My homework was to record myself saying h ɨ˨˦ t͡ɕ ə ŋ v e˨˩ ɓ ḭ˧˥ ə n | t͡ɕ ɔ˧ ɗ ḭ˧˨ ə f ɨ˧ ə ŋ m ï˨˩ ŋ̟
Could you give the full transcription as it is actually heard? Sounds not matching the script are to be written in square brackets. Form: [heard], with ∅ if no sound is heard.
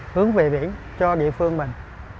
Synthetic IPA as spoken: h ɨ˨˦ [∅] ə ŋ v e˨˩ ɓ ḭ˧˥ ə n | t͡ɕ ɔ˧ ɗ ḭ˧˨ ə f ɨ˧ ə ŋ m ï˨˩ ŋ̟